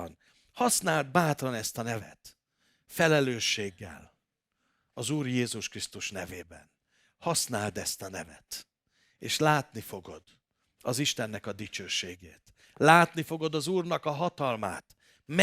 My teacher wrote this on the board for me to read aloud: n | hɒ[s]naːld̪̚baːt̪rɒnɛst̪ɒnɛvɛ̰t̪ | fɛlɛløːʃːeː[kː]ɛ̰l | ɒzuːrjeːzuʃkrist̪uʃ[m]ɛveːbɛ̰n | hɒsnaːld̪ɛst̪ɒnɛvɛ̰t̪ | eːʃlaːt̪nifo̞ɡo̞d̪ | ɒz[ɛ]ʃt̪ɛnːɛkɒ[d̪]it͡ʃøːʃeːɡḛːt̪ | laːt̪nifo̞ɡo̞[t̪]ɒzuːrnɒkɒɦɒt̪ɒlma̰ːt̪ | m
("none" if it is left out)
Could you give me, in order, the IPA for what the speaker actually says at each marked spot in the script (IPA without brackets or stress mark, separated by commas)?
s, ɡː, n, i, d̪, d̪